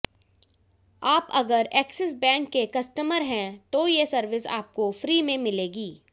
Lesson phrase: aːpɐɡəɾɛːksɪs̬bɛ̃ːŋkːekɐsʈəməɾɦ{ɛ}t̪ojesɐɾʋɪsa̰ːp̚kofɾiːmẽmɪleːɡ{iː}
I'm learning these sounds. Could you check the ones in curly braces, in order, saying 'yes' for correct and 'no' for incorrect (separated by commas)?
no, yes